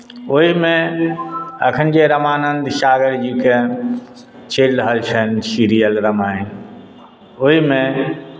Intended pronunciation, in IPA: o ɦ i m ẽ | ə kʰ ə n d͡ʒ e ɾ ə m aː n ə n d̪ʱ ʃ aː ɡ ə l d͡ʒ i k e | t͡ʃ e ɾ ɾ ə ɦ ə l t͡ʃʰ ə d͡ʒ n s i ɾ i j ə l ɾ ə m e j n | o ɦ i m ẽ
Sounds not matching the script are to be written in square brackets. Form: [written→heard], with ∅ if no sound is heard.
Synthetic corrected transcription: o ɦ i m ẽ | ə kʰ ə n d͡ʒ e ɾ ə m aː n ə n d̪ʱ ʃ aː ɡ ə [l→ɾ] d͡ʒ i k e | t͡ʃ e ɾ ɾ ə ɦ ə l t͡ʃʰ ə [d͡ʒ→∅] n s i ɾ i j ə l ɾ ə m [e→a] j n | o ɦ i m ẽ